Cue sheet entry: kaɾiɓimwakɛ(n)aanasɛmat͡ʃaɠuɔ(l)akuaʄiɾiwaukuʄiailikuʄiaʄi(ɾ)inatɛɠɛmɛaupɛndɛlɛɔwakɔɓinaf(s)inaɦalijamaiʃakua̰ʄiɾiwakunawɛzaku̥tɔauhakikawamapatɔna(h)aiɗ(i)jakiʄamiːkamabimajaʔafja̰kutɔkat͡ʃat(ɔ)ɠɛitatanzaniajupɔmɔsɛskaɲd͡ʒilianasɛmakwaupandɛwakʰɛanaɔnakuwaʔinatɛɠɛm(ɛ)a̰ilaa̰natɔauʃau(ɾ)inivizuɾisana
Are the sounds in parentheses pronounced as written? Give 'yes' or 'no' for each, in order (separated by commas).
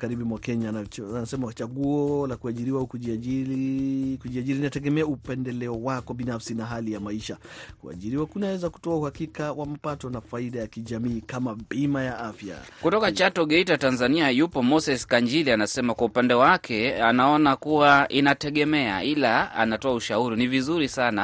no, yes, yes, yes, no, no, yes, yes, yes